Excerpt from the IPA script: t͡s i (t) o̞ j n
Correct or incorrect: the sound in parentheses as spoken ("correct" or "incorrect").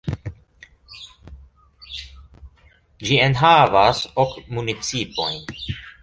incorrect